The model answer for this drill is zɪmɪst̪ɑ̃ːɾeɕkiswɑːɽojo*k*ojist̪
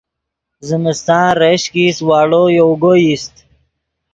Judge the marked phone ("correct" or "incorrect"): incorrect